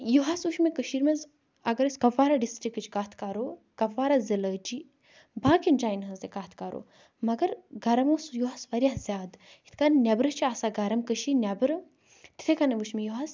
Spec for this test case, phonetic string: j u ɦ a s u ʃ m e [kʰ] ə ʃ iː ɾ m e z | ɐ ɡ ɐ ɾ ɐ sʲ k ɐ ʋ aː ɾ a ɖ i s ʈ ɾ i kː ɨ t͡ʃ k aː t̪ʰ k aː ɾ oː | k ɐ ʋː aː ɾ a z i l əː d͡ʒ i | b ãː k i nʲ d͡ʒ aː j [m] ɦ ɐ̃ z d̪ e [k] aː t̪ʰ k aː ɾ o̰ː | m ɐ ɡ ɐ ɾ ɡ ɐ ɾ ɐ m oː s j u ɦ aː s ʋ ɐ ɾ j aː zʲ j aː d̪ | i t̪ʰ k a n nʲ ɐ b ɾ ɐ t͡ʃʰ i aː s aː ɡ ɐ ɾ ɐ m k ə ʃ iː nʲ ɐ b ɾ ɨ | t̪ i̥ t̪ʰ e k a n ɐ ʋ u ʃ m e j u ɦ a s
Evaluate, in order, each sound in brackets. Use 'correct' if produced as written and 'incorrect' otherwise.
incorrect: k, incorrect: n, correct

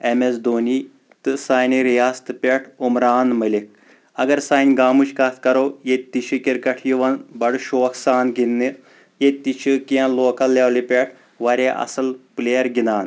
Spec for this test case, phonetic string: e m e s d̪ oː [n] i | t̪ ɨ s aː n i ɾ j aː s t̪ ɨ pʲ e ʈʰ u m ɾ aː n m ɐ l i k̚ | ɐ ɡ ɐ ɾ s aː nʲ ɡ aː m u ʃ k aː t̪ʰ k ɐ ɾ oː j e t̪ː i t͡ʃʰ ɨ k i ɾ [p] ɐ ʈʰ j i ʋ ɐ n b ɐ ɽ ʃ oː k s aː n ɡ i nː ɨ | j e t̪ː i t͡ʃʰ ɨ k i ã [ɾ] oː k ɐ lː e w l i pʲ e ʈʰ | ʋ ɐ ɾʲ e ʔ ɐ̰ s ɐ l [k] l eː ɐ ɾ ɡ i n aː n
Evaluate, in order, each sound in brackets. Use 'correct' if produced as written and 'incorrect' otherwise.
correct, incorrect: k, incorrect: l, incorrect: p

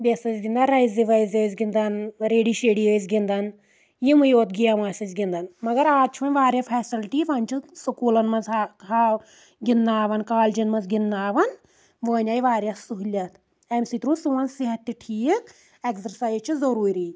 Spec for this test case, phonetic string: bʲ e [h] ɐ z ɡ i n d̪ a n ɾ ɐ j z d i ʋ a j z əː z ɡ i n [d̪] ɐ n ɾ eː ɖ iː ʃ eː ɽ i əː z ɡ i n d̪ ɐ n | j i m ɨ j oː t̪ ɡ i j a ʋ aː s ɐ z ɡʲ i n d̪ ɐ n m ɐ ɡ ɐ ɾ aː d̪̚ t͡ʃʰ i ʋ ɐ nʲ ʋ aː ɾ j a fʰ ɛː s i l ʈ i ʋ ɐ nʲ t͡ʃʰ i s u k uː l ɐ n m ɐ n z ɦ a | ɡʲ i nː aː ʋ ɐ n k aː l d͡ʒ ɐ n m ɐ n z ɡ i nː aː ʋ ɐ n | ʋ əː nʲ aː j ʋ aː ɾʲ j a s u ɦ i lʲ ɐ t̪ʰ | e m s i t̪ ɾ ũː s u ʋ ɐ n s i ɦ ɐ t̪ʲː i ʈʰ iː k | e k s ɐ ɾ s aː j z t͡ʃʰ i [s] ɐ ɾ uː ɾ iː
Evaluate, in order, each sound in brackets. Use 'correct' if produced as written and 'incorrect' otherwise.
incorrect: s, correct, incorrect: z

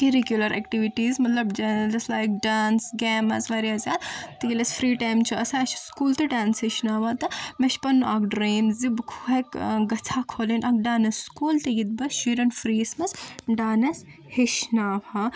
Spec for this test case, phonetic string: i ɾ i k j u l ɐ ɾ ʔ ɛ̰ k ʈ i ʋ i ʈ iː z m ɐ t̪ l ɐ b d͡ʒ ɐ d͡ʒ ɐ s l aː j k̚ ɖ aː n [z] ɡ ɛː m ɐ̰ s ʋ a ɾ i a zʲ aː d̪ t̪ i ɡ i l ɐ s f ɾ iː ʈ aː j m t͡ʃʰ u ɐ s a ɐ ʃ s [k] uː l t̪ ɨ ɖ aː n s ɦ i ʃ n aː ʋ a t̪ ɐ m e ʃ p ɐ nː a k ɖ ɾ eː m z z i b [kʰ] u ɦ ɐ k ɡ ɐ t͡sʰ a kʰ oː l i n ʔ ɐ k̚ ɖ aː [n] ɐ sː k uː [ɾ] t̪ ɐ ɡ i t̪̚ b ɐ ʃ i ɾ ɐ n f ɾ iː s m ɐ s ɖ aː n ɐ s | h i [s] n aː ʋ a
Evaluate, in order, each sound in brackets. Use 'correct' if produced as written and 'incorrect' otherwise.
incorrect: s, correct, correct, correct, incorrect: l, incorrect: ʃ

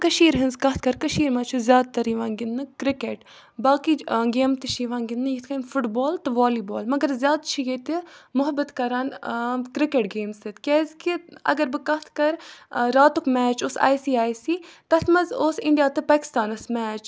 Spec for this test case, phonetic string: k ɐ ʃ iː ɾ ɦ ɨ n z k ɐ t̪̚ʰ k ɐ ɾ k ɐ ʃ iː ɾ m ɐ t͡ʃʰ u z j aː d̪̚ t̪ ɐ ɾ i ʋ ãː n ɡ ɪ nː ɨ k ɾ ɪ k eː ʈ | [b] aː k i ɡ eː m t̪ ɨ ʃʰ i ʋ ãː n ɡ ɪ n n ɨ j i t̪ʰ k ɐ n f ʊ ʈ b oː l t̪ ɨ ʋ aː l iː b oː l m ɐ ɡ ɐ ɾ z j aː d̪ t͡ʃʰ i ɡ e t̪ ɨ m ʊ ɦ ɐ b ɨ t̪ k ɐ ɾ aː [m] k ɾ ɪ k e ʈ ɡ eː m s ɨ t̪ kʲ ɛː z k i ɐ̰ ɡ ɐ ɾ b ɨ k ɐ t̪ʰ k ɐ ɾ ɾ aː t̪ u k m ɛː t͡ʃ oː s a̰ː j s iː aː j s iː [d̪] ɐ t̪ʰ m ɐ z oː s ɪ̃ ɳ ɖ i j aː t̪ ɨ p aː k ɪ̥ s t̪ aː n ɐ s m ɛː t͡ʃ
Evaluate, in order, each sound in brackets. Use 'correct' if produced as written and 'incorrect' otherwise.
correct, incorrect: n, incorrect: t̪

